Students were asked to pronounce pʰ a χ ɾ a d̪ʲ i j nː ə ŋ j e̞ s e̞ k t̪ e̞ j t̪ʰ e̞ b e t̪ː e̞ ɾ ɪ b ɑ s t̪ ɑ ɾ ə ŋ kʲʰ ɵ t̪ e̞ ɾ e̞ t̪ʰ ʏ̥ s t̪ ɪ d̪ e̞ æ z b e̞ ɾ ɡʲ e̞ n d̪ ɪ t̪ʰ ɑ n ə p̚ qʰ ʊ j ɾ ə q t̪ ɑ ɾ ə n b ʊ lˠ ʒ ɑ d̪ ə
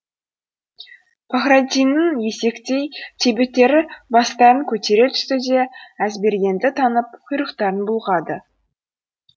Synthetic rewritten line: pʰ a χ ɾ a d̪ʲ i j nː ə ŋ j e̞ s e̞ k t̪ e̞ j t̪ʰ e̞ b e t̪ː e̞ ɾ ɪ b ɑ s t̪ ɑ ɾ ə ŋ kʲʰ ɵ t̪ e̞ ɾ e̞ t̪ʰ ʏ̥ s t̪ ɪ d̪ e̞ æ z b e̞ ɾ ɡʲ e̞ n d̪ ɪ t̪ʰ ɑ n ə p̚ qʰ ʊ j ɾ ə q t̪ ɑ ɾ ə n b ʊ lˠ ʁ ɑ d̪ ə